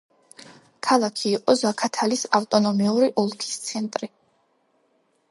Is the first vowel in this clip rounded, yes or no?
no